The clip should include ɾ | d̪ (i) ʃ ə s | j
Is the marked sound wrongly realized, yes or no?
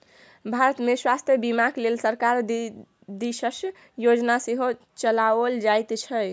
no